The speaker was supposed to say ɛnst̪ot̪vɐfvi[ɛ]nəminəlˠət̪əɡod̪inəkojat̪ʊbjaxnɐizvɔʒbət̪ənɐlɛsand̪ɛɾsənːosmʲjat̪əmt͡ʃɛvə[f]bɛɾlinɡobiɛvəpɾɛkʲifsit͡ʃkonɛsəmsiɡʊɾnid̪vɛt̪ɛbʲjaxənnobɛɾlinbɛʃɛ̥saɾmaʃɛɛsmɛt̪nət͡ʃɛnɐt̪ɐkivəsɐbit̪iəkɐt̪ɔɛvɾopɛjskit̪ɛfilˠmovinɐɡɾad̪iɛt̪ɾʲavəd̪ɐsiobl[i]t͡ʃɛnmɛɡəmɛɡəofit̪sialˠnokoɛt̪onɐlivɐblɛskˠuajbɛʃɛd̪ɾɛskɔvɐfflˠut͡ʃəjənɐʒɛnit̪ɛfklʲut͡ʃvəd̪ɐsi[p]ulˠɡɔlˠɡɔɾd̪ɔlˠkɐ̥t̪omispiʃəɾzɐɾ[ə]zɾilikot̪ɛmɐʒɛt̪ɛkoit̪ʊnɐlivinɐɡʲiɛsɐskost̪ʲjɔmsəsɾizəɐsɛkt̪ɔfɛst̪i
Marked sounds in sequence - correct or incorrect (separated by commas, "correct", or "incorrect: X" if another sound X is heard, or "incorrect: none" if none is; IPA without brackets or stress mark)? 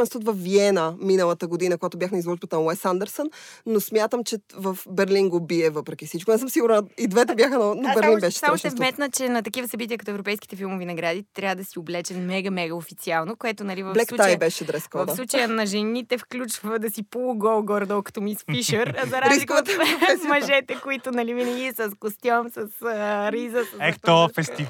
correct, correct, incorrect: ɛ, correct, incorrect: a